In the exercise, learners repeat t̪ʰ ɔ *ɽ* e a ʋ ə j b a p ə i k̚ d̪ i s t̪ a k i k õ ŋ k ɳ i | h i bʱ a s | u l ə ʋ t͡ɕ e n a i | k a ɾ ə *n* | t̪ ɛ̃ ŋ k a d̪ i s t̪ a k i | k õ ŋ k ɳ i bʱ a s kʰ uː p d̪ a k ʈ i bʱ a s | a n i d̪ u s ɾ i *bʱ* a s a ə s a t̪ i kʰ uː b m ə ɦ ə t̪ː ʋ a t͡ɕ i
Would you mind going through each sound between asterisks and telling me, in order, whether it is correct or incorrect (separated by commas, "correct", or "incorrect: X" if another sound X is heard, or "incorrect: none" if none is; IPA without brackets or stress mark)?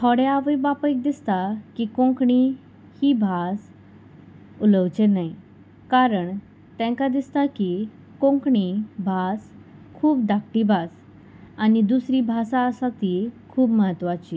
correct, incorrect: ɳ, correct